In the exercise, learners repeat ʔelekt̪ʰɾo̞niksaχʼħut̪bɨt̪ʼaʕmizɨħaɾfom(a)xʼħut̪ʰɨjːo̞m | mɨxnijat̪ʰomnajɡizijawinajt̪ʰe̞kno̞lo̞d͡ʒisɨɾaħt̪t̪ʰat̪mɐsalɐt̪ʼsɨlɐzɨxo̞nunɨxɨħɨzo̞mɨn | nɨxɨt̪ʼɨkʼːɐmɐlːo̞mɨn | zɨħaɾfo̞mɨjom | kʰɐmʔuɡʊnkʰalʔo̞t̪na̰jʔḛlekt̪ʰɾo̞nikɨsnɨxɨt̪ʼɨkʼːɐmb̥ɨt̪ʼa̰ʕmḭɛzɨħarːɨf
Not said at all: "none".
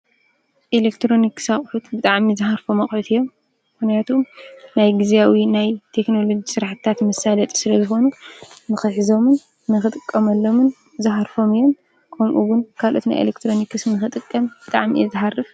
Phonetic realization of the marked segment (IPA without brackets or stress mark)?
ɐ